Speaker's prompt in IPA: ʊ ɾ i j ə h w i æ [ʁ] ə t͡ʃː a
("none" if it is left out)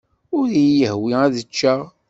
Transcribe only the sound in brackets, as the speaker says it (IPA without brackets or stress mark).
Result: ð